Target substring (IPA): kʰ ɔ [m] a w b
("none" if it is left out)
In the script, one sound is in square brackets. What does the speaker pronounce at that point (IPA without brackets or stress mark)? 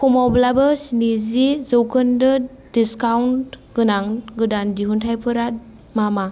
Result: m